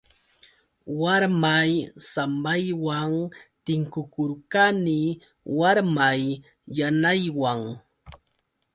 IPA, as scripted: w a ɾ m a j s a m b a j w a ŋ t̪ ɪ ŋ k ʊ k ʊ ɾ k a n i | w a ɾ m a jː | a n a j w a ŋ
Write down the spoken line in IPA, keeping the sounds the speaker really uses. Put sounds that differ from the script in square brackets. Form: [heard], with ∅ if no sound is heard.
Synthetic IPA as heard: w a ɾ m a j s a m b a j w a ŋ t̪ ɪ ŋ k ʊ k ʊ ɾ k a n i | w a ɾ m a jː | a n a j w a ŋ